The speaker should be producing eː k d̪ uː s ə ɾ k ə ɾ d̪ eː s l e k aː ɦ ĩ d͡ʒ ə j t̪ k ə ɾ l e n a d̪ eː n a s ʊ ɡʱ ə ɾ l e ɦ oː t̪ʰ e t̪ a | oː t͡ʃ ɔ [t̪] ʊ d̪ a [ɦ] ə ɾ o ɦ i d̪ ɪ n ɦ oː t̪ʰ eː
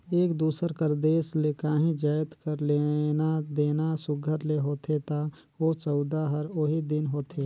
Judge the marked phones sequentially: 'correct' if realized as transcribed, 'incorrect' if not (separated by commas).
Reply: incorrect, correct